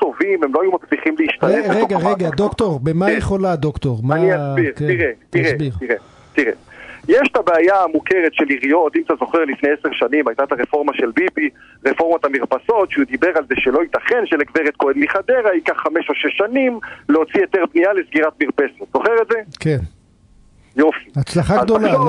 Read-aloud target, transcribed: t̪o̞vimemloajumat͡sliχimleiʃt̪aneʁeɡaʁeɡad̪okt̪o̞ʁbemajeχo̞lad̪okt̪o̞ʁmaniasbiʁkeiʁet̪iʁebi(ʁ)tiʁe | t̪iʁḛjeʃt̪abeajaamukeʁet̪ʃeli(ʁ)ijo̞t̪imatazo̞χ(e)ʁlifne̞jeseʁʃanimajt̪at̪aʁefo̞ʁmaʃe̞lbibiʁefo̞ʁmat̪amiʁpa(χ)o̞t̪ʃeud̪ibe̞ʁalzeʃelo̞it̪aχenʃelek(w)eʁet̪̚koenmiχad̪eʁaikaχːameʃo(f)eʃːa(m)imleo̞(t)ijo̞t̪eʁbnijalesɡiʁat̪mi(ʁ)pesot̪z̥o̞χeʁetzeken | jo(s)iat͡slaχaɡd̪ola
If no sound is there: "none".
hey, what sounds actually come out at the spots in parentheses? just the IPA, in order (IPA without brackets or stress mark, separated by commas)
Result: ʁ, ʁ, e, s, v, ʃ, n, t͡s, ʁ, f